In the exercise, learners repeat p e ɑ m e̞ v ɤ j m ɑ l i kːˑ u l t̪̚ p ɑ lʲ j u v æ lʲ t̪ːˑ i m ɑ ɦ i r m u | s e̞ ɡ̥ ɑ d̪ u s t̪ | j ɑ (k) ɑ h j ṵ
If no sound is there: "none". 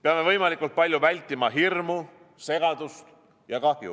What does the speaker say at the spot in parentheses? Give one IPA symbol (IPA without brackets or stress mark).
k